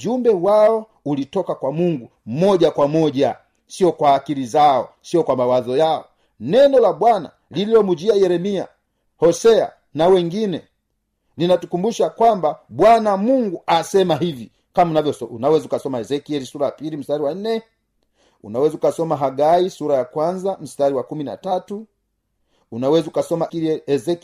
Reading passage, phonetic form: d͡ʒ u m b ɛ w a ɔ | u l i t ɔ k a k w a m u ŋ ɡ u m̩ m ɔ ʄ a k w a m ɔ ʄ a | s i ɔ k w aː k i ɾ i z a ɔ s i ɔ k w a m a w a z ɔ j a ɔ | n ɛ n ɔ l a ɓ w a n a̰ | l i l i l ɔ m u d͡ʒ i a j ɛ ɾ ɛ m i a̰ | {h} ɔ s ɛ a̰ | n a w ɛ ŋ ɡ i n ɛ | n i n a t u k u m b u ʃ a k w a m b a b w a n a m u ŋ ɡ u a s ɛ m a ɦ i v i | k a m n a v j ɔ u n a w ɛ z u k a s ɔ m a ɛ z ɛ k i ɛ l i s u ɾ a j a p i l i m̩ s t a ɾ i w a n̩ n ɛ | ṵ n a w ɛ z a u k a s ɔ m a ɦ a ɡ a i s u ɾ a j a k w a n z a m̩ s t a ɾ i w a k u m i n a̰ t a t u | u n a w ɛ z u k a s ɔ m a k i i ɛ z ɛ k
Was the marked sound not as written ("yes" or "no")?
no